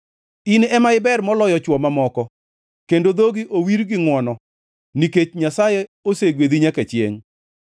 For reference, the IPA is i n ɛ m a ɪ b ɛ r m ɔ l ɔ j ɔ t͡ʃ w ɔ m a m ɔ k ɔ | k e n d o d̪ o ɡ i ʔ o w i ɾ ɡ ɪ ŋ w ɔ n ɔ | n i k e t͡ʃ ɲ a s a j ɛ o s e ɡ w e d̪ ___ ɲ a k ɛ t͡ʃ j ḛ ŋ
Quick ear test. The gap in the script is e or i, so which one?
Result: i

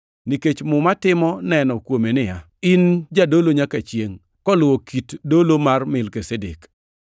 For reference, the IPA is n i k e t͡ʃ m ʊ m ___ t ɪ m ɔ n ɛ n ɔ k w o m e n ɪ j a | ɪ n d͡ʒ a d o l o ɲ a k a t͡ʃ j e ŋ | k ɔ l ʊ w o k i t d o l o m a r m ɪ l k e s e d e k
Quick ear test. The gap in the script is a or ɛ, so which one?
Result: a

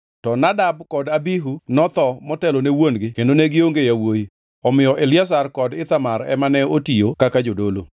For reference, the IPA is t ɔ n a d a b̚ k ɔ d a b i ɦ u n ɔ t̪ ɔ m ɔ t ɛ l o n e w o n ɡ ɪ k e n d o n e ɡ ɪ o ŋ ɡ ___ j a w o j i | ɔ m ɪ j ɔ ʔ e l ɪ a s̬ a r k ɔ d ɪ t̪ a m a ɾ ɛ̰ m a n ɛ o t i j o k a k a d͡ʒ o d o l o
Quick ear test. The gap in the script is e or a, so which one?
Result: e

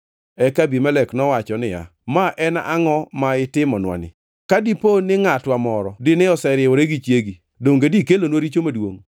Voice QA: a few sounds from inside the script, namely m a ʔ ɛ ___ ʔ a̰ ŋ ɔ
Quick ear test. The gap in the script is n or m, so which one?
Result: n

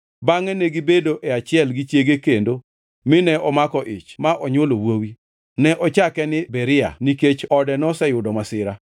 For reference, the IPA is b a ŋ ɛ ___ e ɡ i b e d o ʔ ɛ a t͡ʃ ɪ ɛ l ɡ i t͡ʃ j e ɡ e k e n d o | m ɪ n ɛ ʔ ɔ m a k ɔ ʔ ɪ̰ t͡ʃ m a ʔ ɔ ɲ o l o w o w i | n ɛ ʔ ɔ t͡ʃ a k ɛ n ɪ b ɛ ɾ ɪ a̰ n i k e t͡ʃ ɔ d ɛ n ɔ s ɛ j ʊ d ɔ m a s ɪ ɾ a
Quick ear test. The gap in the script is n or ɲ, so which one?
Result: n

